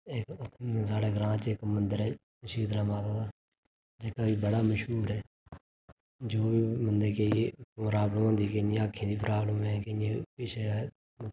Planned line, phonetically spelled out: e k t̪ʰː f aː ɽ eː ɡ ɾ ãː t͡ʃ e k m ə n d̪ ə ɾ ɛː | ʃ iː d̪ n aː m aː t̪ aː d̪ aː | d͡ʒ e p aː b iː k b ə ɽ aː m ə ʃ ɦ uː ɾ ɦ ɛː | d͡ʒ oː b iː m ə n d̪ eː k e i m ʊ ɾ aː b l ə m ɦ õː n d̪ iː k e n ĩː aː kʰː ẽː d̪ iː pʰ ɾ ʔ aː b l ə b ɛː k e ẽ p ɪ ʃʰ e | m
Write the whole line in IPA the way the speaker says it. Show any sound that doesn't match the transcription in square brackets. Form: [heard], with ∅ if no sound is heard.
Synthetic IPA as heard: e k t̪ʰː [s] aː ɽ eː ɡ ɾ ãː t͡ʃ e k m ə n d̪ ə ɾ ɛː | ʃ iː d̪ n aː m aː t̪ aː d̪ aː | d͡ʒ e [k] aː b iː [∅] b ə ɽ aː m ə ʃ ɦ uː ɾ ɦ ɛː | d͡ʒ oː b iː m ə n d̪ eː k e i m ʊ ɾ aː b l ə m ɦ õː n d̪ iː k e n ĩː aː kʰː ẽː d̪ iː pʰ ɾ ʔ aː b l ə [m] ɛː k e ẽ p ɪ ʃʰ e | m